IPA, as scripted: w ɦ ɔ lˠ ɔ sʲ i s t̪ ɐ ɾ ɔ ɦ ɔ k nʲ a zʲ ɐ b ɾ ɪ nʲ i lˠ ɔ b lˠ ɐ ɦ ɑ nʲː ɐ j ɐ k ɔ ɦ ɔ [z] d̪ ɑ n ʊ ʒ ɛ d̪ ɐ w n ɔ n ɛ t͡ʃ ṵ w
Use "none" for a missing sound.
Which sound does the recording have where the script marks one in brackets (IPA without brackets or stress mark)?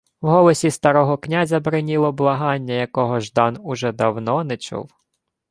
ʒ